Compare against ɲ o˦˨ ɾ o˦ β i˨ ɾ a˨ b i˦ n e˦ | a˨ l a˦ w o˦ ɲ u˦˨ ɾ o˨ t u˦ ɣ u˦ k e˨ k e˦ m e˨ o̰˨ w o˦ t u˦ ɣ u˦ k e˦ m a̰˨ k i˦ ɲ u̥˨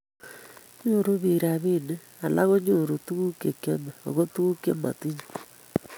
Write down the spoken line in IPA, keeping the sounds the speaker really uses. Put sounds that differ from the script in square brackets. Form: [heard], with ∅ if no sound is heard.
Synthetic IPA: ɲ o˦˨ ɾ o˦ β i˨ ɾ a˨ [β] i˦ n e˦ | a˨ l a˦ [ɣ] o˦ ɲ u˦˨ ɾ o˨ t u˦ ɣ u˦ k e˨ k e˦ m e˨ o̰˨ [ɣ] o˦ t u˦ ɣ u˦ k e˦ m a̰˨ [t] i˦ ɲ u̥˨